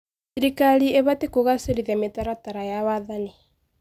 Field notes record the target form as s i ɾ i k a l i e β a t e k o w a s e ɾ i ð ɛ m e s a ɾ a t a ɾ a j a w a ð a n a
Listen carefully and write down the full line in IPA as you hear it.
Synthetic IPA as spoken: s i ɾ i k a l i e β a t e k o ɣ a s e ɾ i ð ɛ m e t a ɾ a t a ɾ a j a w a ð a n i